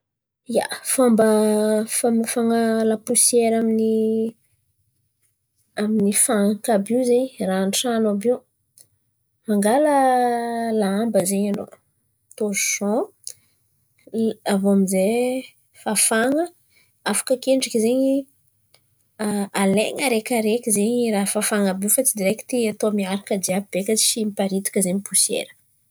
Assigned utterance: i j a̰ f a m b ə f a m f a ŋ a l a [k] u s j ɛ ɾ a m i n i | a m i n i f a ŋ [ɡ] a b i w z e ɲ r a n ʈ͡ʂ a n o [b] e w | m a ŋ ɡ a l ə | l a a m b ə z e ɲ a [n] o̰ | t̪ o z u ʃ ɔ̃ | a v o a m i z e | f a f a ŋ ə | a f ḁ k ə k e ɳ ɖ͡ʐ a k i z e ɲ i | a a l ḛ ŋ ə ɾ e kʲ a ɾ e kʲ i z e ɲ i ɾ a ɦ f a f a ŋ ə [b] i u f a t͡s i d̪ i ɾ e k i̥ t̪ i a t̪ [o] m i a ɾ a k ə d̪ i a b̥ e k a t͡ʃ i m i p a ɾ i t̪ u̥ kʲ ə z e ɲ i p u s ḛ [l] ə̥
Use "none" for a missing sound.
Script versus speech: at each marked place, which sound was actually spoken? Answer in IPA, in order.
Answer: p, k, b, n, b, o, ɾ

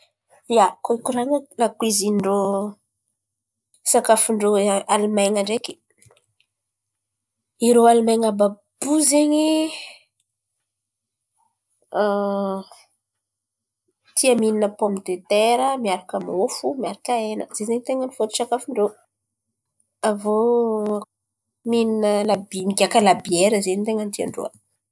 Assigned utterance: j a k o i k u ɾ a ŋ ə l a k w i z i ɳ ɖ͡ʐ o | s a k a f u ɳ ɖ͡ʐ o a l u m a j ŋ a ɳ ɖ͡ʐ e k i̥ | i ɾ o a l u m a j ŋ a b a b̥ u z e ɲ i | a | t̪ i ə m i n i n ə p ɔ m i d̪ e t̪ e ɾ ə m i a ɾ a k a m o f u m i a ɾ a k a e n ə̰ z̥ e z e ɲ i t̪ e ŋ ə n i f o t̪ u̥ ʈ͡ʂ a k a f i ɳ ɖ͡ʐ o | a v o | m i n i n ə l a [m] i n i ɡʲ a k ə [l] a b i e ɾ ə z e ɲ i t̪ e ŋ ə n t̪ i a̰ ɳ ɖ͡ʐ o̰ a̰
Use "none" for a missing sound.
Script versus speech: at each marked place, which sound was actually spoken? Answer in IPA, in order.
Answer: b, l

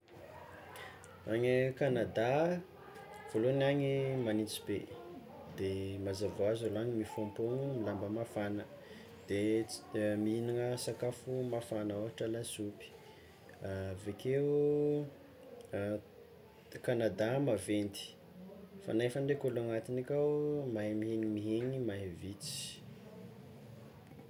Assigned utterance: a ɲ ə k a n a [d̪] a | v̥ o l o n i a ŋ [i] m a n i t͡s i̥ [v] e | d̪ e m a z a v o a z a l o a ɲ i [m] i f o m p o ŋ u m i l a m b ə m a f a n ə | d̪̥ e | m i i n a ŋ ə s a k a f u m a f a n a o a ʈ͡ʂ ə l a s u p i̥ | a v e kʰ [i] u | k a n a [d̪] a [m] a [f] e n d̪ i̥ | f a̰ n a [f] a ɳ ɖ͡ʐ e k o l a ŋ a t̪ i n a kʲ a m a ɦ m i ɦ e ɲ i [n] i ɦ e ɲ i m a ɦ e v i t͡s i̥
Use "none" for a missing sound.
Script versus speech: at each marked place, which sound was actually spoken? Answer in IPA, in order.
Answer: d̪, i, b, m, e, d̪, m, v, f, m

